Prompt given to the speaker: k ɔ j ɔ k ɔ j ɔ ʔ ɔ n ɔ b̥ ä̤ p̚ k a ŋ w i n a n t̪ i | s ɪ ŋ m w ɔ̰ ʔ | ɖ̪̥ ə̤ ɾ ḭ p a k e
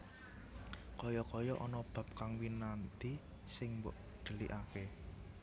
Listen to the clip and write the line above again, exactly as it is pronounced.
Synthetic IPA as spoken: k ɔ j ɔ k ɔ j ɔ ʔ ɔ n ɔ b̥ ä̤ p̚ k a ŋ w i n a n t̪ i | s ɪ ŋ m b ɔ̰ ʔ | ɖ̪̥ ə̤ l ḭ ʔ a k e

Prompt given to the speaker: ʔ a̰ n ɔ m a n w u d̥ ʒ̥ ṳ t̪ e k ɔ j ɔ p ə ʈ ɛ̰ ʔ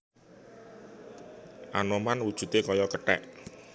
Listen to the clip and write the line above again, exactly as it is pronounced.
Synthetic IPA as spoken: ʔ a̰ n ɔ m a n w u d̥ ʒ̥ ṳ t̪ e k ɔ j ɔ k ə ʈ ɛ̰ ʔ

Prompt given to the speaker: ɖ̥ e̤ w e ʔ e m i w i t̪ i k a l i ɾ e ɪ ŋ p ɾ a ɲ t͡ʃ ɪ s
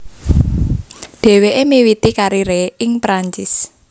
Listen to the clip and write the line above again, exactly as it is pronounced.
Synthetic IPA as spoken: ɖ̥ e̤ w e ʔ e m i w i t̪ i k a ɾ i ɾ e ɪ ŋ p ɾ a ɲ t͡ʃ ɪ s

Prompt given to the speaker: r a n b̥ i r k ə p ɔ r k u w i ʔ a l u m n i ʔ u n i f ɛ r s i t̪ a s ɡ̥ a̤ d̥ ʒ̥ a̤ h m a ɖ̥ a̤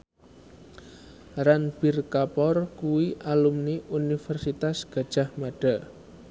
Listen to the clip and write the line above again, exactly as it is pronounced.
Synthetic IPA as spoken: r a n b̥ i r k a p ɔ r k u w i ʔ a l u m n i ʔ u n i f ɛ r s i t̪ a s ɡ̥ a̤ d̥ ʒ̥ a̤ h m a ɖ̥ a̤

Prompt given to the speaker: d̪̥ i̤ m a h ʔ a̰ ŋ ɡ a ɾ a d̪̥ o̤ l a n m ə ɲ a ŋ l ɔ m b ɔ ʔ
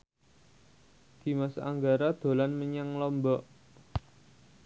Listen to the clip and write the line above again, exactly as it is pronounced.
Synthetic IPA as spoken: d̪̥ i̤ m a s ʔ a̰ ŋ ɡ a ɾ a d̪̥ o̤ l a n m ə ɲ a ŋ l ɔ m b ɔ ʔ

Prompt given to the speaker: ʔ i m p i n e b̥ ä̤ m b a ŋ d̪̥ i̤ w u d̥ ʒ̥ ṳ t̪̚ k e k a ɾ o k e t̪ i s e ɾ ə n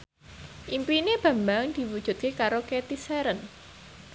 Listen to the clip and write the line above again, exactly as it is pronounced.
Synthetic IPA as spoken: ʔ i m p i n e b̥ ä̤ m b a ŋ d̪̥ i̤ w u d̥ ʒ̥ ṳ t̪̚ k e k a ɾ o k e t̪ i s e ɾ ə n

